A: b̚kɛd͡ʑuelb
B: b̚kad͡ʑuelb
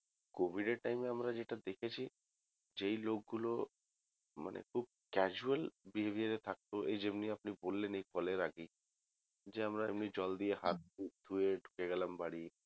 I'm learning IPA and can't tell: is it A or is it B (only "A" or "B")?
A